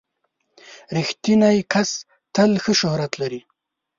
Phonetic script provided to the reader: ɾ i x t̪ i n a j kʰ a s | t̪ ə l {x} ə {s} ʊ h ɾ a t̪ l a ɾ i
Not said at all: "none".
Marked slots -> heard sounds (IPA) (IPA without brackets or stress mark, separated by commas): x, ʃ